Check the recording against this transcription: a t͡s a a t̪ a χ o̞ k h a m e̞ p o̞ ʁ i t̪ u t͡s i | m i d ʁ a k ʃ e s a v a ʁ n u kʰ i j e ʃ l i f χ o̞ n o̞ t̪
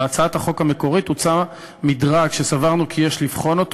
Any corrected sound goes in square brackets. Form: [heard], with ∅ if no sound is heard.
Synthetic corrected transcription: a t͡s a a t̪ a χ o̞ k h a m e̞ [k] o̞ ʁ i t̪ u t͡s [a] | m i d ʁ a k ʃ e s a v a ʁ n u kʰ i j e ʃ l i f χ o̞ n o̞ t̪